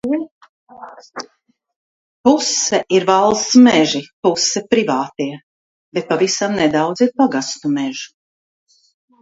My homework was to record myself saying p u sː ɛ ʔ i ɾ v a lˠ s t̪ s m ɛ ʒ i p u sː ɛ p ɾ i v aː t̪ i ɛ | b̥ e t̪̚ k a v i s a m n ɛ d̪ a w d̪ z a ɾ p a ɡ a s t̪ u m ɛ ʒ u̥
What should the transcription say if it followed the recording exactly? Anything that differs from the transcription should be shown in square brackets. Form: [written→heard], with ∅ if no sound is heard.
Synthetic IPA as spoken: p u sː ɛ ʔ i ɾ v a lˠ s t̪ s m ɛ ʒ i p u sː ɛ p ɾ i v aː t̪ i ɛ | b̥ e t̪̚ [k→p] a v i s a m n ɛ d̪ a w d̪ z [a→i] ɾ p a ɡ a s t̪ u m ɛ ʒ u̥